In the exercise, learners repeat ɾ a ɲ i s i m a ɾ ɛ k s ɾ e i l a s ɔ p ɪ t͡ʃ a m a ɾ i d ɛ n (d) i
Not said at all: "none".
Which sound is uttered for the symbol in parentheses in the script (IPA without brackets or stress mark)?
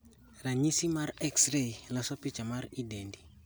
d